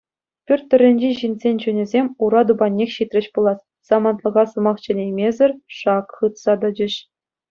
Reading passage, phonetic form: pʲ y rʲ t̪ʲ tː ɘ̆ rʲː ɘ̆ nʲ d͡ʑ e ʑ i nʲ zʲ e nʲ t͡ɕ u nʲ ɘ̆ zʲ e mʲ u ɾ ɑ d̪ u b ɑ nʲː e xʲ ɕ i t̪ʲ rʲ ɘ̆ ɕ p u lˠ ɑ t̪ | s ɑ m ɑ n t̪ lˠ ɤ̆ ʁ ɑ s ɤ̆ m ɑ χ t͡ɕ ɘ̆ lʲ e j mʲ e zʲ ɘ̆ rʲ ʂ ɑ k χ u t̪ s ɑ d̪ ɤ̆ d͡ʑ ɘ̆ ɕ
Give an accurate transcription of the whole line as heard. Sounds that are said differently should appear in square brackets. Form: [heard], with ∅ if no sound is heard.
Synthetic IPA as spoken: pʲ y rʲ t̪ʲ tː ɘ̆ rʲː ɘ̆ nʲ d͡ʑ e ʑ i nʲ zʲ e nʲ t͡ɕ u nʲ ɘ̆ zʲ e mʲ u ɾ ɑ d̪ u b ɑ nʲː e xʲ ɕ i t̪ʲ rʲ ɘ̆ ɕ p u lˠ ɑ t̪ | s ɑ m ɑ n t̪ lˠ ɤ̆ ʁ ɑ s ɤ̆ m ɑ χ t͡ɕ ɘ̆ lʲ e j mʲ e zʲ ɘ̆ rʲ ʂ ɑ k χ [ɯ] t̪ s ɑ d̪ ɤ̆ d͡ʑ ɘ̆ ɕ